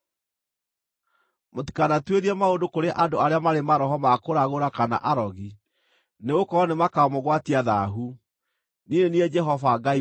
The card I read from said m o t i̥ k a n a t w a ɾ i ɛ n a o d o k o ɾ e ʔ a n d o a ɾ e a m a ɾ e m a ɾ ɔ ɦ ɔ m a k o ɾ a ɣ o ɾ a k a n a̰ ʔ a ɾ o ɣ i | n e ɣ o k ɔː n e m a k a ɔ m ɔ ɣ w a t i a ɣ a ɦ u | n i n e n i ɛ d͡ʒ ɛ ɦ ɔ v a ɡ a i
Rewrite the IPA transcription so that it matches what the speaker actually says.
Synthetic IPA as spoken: m o t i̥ k a n a t w e ɾ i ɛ m a o d o k o ɾ e ʔ a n d o a ɾ e a m a ɾ e m a ɾ ɔ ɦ ɔ m a k o ɾ a ɣ o ɾ a k a n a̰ ʔ a ɾ ɔ ɣ i | n e ɣ o k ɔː n e m a k a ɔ m o ɣ w a t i a ð a ɦ u | n i n e n i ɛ d͡ʒ ɛ ɦ ɔ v a ɡ a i